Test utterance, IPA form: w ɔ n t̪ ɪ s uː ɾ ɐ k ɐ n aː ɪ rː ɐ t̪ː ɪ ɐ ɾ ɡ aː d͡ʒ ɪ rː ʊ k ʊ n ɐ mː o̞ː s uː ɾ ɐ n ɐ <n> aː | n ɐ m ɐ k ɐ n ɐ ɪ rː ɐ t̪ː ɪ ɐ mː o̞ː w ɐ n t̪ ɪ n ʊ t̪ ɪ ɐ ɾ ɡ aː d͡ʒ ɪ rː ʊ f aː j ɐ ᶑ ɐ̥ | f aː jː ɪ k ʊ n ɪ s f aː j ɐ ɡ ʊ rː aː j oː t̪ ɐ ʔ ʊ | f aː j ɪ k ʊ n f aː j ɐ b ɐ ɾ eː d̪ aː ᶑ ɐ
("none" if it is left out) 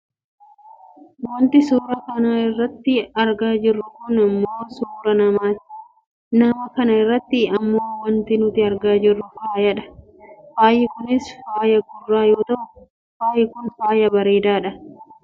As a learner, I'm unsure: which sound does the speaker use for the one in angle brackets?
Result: m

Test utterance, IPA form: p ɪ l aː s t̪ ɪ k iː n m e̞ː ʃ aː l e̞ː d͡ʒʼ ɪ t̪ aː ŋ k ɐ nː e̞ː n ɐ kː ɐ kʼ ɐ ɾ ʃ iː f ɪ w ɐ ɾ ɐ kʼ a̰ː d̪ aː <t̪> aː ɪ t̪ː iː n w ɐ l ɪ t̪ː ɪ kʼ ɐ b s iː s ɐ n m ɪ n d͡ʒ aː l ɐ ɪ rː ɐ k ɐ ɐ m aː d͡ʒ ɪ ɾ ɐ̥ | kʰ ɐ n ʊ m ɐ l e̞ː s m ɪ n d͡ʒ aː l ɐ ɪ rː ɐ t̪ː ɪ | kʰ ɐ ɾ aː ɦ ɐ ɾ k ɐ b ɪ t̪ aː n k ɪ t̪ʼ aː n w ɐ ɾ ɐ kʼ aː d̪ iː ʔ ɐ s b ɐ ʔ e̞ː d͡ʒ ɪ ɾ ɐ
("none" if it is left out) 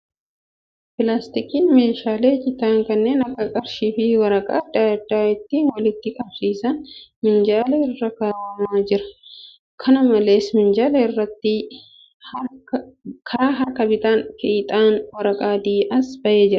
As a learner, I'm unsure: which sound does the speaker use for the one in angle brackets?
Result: d̪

